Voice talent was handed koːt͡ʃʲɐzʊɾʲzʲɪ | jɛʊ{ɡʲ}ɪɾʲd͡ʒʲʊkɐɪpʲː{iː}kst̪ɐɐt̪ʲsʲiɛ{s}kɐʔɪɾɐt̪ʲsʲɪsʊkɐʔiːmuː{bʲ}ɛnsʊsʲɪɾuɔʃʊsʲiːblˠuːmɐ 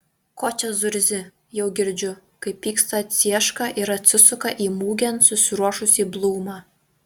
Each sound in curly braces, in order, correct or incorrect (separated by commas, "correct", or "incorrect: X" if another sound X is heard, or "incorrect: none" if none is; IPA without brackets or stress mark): correct, correct, incorrect: ʃ, incorrect: ɡʲ